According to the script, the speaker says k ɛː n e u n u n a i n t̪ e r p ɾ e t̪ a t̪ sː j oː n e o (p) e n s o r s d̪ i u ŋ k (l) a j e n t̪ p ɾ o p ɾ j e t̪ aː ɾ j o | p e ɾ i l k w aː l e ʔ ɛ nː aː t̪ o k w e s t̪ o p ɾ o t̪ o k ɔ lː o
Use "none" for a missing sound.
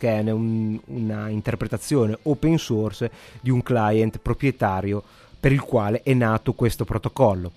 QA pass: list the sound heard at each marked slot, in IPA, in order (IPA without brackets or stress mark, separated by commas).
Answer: p, l